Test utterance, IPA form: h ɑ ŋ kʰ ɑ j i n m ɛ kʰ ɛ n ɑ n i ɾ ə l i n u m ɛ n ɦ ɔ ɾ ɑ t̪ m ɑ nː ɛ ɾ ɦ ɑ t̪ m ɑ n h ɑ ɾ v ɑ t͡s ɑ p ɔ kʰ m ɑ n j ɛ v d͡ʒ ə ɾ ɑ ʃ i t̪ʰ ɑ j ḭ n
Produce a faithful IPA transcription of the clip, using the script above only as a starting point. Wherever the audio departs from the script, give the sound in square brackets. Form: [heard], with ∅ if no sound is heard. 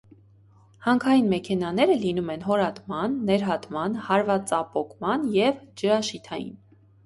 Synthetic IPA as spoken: h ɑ ŋ kʰ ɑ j i n m ɛ kʰ ɛ n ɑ n [ɛ] ɾ ə l i n u m ɛ n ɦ ɔ ɾ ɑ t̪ m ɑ nː ɛ ɾ ɦ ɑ t̪ m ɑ n h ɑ ɾ v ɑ t͡s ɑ p ɔ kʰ m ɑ n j ɛ v d͡ʒ ə ɾ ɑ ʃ i t̪ʰ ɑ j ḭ n